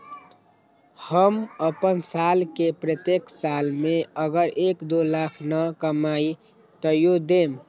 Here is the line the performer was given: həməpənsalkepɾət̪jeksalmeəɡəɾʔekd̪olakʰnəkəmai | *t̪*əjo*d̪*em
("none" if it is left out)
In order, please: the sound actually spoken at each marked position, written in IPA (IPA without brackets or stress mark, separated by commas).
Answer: t̪, d̪